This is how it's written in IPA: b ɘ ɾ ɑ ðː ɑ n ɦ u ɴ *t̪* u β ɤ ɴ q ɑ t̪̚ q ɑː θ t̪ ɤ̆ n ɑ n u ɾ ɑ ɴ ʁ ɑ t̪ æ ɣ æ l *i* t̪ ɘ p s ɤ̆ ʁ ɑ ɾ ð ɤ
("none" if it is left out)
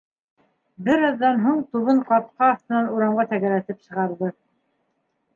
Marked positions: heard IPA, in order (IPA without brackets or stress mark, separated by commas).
t̪, æ